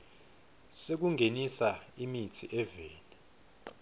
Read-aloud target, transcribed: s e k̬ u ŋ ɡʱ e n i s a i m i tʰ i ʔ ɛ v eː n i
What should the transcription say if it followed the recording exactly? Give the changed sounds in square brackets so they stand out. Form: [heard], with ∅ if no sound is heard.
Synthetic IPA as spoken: s e k̬ u ŋ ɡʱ e n i s a i m i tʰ i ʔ ɛ v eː n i